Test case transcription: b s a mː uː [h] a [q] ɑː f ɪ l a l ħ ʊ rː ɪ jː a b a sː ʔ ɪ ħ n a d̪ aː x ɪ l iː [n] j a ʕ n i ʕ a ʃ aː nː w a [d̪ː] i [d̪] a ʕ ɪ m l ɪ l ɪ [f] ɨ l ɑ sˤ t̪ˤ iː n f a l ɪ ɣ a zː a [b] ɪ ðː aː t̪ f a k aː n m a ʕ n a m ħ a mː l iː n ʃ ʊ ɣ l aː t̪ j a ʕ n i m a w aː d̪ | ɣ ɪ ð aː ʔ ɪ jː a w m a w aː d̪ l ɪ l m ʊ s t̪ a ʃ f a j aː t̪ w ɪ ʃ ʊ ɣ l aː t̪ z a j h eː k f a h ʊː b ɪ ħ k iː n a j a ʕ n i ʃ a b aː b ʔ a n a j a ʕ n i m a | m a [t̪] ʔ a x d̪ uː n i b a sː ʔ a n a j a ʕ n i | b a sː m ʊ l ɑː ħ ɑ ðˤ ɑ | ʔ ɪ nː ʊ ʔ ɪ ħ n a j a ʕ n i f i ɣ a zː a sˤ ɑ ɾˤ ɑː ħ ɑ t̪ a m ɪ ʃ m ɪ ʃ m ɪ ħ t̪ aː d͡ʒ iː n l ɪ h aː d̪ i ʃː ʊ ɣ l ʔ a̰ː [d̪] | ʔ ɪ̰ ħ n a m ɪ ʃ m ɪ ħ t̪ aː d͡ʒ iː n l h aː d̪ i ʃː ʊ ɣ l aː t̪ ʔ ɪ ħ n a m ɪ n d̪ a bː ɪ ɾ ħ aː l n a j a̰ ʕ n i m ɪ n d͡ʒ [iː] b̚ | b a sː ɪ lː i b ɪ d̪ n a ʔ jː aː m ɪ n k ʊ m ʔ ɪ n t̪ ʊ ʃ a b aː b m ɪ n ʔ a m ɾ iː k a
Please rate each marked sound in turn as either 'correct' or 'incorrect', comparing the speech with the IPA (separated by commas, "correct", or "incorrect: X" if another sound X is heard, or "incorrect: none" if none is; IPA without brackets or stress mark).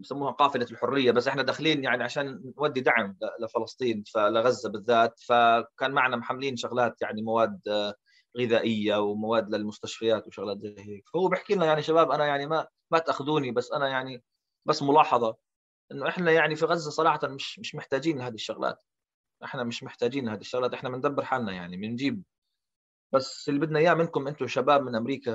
correct, correct, correct, correct, correct, correct, correct, correct, incorrect: t̪, correct